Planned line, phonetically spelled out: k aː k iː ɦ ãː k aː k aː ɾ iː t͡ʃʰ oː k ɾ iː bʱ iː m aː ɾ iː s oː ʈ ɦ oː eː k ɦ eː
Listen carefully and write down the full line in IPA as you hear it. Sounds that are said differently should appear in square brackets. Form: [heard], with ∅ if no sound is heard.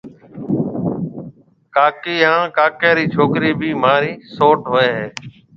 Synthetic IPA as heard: k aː k iː ɦ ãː k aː k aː ɾ iː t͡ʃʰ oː k ɾ iː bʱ iː m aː ɾ iː s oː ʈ ɦ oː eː [∅] ɦ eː